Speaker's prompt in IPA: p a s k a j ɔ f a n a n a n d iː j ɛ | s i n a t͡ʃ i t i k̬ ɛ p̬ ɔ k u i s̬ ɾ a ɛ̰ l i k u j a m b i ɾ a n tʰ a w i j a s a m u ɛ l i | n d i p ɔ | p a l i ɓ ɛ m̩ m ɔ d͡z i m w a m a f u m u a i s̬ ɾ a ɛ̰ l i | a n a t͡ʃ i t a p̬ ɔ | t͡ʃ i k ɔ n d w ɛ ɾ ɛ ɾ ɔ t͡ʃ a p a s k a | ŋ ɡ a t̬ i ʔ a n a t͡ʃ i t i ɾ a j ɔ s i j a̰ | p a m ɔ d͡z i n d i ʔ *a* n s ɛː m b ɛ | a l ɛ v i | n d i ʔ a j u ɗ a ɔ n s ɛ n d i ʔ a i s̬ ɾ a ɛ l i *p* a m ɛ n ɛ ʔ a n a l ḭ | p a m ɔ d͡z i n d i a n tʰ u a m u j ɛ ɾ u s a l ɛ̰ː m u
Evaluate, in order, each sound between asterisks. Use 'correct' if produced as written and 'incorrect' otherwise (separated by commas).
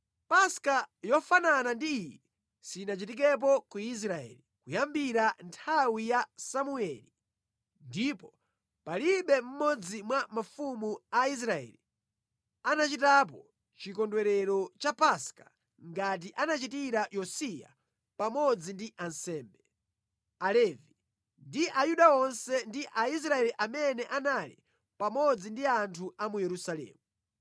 correct, incorrect